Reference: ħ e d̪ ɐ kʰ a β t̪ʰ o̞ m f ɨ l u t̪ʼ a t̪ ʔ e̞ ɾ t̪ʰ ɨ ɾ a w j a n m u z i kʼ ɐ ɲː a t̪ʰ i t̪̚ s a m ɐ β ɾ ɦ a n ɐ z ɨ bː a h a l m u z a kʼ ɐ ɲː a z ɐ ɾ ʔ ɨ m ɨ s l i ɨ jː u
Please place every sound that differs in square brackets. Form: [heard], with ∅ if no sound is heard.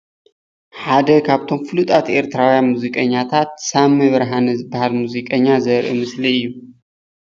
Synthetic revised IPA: ħ [a] d̪ ɐ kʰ a β t̪ʰ o̞ m f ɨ l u t̪ʼ a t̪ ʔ e̞ ɾ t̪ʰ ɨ ɾ a w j a n m u z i kʼ ɐ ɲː a t̪ʰ [a] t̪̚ s a m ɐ β ɾ ɦ a n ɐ z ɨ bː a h a l m u z [i] kʼ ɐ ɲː a z ɐ ɾ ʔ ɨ m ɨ s l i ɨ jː u